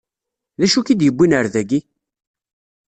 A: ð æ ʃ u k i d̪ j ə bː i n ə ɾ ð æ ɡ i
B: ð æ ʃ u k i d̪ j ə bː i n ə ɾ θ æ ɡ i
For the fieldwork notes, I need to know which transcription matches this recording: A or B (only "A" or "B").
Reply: A